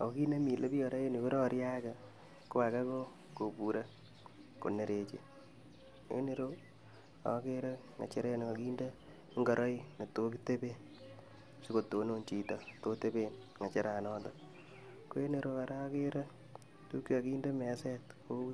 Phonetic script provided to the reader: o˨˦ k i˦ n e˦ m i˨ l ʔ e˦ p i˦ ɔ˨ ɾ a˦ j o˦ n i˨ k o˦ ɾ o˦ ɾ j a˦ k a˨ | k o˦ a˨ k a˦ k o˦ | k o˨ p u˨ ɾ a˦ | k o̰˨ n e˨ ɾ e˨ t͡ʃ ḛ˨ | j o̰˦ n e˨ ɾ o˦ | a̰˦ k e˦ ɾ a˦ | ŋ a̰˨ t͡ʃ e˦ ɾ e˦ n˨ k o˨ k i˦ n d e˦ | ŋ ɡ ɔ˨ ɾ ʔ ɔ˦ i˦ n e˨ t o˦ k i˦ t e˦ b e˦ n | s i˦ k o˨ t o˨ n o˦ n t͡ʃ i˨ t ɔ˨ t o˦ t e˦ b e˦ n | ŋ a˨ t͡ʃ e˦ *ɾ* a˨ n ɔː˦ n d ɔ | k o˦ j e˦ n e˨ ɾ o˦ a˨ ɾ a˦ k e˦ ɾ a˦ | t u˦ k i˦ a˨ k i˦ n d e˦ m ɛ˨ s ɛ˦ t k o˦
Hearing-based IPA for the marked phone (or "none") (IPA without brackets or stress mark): ɾ